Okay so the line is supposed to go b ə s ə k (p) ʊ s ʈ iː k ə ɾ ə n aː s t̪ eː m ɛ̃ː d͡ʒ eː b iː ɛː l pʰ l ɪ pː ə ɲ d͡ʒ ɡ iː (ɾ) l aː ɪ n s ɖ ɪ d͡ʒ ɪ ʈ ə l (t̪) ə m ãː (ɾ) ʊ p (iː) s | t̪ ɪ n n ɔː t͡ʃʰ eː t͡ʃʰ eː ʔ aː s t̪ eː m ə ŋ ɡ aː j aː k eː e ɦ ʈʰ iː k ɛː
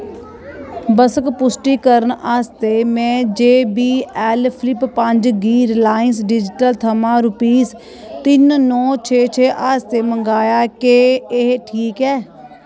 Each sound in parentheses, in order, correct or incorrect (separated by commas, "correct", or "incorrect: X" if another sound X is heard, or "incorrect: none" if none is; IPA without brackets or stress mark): correct, correct, incorrect: t̪ʰ, correct, correct